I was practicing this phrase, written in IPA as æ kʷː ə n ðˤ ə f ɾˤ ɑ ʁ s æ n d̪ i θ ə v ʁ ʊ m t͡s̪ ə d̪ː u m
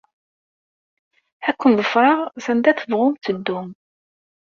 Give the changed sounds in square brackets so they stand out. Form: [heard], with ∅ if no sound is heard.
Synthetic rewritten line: æ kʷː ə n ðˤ ə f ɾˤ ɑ ʁ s æ n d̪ [æ] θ ə v ʁ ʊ m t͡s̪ ə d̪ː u m